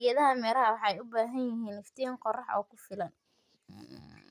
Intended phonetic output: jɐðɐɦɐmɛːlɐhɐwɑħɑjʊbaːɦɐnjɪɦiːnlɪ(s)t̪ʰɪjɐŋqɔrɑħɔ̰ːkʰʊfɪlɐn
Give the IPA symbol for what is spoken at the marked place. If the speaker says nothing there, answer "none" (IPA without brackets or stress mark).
f